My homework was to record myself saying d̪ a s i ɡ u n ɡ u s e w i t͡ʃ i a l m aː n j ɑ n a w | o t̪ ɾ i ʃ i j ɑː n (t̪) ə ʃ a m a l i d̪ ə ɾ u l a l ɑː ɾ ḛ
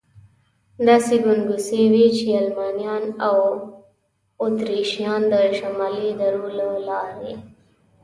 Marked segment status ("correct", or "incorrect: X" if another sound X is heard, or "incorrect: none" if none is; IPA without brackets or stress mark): incorrect: d̪